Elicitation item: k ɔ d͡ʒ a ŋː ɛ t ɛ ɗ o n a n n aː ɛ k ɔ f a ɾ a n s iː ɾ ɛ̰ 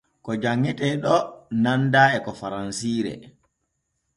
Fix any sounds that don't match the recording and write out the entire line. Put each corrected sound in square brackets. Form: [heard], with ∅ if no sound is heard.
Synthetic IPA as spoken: k ɔ d͡ʒ a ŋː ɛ t ɛ ɗ [ɔ] n a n [d] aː ɛ k ɔ f a ɾ a n s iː ɾ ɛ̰